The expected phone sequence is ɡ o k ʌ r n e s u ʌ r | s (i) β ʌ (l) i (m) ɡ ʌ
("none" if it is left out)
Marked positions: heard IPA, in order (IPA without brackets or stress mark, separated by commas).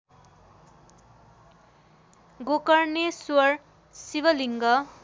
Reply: i, l, ŋ